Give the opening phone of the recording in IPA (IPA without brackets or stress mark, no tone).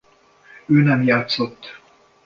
øː